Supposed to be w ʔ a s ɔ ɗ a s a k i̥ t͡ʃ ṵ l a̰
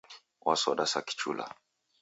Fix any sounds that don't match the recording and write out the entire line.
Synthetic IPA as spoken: w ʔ a s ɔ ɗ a s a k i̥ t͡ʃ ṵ l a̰